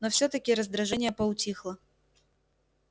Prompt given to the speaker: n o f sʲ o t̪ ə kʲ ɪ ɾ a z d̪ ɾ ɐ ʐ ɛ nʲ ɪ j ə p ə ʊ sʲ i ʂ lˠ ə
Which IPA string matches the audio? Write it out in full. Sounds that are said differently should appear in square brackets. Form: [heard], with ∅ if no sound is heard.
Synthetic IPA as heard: n o f sʲ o t̪ ə kʲ ɪ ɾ [ə] z d̪ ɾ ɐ ʐ ɛ nʲ ɪ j ə p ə ʊ [tʲ] i [x] lˠ ə